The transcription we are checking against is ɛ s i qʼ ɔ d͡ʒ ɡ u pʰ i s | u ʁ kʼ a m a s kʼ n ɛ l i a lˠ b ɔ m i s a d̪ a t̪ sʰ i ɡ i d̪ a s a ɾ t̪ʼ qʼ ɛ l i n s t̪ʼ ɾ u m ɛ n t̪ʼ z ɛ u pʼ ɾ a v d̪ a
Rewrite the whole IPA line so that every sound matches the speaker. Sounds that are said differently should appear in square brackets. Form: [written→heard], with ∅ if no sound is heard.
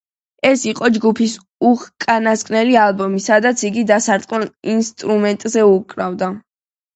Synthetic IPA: ɛ s i qʼ ɔ d͡ʒ ɡ u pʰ i s | u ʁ kʼ a [m→n] a s kʼ n ɛ l i a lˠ b ɔ m i s a d̪ a t̪ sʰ i ɡ i d̪ a s a ɾ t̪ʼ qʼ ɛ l i n s t̪ʼ ɾ u m ɛ n t̪ʼ z ɛ u [pʼ→kʼ] ɾ a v d̪ a